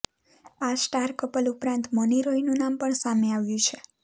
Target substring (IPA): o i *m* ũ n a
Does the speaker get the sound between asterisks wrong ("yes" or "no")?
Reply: yes